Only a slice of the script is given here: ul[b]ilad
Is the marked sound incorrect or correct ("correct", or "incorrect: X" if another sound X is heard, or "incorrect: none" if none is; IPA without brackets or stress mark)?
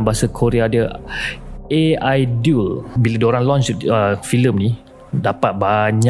correct